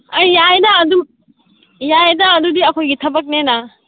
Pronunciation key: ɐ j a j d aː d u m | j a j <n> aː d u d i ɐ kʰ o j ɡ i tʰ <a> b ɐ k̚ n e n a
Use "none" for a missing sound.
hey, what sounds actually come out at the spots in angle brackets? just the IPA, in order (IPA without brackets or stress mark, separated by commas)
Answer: d, ɐ